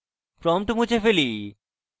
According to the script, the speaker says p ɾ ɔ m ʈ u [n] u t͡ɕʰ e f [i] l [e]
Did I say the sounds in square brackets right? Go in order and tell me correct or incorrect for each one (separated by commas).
incorrect, incorrect, incorrect